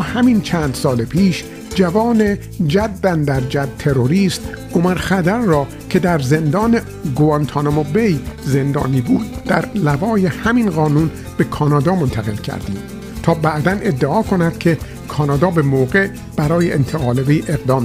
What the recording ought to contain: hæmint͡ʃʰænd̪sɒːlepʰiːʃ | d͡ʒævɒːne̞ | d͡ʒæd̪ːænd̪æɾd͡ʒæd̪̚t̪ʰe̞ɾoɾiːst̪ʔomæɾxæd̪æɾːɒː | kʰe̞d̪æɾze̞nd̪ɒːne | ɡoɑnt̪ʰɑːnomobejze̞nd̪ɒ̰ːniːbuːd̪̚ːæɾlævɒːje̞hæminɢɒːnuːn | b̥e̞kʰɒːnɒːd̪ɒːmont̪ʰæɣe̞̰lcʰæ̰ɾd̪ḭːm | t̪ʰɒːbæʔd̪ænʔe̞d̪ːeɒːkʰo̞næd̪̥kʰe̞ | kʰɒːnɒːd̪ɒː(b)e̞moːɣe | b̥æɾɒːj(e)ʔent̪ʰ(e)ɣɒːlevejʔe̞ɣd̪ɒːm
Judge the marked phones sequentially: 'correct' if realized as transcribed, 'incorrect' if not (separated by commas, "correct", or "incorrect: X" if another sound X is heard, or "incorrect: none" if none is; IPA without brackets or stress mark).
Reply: correct, correct, correct